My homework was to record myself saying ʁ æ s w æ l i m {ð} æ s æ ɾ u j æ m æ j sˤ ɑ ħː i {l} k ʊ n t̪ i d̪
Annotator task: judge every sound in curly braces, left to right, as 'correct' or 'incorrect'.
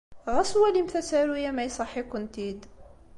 incorrect, incorrect

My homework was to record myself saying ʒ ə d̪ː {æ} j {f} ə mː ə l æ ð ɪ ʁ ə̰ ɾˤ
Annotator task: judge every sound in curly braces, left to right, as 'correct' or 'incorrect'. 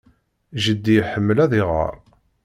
incorrect, incorrect

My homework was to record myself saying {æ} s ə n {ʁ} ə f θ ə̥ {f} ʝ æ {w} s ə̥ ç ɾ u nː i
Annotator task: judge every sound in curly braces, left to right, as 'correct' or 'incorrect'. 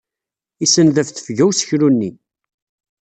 incorrect, incorrect, correct, correct

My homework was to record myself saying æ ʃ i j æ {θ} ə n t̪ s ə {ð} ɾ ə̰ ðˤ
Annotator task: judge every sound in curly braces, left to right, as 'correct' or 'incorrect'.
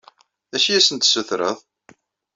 incorrect, incorrect

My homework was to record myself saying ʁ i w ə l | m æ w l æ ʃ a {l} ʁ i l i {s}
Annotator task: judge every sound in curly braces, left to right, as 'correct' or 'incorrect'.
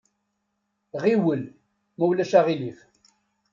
incorrect, incorrect

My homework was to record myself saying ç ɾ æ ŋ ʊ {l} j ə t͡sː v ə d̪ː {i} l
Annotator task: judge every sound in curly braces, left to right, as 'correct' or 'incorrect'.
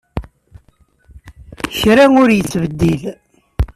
incorrect, correct

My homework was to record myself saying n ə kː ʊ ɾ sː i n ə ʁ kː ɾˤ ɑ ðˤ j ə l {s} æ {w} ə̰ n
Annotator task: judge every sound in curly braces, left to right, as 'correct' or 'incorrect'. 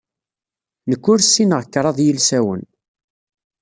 correct, correct

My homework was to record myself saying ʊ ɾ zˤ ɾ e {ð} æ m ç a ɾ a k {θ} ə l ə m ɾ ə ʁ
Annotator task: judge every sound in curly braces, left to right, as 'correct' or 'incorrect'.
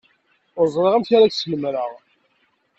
incorrect, incorrect

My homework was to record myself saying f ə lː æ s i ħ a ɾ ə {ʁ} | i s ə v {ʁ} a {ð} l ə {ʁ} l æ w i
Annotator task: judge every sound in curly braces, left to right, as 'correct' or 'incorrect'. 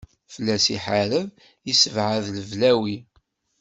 incorrect, incorrect, correct, incorrect

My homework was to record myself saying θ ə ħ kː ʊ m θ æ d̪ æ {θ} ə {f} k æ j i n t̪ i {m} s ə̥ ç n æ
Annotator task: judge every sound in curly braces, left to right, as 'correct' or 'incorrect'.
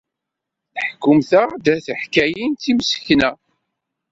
correct, incorrect, correct

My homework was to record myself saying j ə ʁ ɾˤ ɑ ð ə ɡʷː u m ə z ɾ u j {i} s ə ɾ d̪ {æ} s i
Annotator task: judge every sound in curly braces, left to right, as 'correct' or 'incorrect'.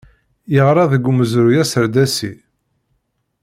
incorrect, correct

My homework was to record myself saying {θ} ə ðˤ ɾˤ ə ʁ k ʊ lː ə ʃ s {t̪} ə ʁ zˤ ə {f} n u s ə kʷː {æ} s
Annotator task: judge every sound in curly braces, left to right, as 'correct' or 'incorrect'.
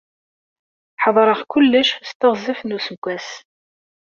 incorrect, correct, correct, correct

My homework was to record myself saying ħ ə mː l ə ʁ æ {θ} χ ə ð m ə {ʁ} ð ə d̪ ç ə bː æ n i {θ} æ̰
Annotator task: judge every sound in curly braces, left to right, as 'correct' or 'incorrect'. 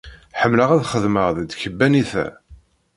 incorrect, correct, correct

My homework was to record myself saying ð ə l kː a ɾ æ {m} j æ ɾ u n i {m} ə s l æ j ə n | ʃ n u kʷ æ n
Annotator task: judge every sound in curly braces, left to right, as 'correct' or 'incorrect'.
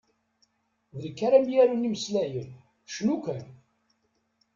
correct, correct

